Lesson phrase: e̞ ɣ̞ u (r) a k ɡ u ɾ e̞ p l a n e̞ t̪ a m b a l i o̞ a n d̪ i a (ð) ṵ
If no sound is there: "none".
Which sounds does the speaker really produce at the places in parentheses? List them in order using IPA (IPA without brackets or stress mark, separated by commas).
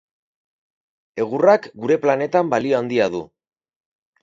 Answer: r, ð